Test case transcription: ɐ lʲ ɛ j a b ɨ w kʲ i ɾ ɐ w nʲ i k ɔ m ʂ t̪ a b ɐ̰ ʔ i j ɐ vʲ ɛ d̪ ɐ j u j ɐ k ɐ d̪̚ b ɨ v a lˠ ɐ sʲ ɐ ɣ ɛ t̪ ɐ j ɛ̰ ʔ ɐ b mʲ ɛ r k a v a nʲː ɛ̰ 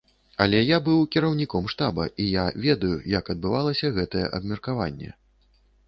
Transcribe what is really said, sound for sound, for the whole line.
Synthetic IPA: ɐ lʲ ɛ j a b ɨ w kʲ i ɾ ɐ w nʲ i k ɔ m ʂ t̪ a b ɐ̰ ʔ i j a vʲ ɛ d̪ ɐ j u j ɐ k ɐ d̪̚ b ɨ v a lˠ ɐ sʲ ɐ ɣ ɛ t̪ ɐ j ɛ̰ ʔ ɐ b mʲ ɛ r k a v a nʲː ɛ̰